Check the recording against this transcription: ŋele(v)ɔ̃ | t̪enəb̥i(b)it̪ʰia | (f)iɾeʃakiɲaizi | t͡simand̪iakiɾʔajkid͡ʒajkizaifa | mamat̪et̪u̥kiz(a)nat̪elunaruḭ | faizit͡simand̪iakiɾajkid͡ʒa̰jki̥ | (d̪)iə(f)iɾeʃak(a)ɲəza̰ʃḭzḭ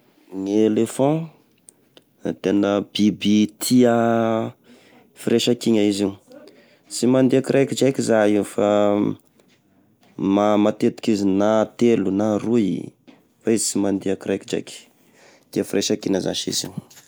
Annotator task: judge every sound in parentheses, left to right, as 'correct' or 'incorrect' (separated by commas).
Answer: incorrect, correct, correct, incorrect, incorrect, correct, incorrect